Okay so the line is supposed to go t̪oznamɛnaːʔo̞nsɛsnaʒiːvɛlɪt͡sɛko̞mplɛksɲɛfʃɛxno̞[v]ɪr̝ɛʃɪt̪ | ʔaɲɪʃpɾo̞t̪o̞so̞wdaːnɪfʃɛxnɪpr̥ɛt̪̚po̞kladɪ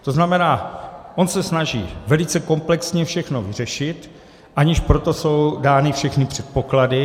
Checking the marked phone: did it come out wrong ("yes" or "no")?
no